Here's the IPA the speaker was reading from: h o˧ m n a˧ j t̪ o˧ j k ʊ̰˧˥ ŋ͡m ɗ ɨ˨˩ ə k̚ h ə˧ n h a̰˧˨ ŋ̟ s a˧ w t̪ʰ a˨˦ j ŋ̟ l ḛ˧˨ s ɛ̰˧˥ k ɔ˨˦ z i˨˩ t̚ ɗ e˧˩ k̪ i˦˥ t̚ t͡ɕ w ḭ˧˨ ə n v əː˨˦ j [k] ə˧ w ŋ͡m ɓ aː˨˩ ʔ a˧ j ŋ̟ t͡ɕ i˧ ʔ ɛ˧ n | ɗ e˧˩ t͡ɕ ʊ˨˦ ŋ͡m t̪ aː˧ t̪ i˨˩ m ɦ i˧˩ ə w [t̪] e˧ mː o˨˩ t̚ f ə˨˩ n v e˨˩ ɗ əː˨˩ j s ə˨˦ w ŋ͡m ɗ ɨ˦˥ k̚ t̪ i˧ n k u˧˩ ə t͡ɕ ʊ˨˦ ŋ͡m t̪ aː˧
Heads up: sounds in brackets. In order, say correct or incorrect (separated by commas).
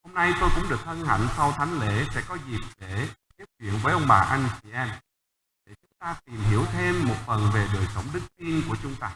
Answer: incorrect, incorrect